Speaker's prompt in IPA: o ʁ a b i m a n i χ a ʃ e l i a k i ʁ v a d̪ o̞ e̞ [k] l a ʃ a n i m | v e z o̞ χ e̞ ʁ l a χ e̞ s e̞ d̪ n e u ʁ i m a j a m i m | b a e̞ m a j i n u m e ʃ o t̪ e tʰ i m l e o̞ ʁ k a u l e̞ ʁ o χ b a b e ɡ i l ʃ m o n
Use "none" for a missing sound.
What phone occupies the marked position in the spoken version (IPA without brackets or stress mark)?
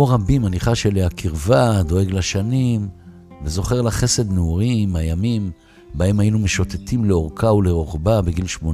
ɡ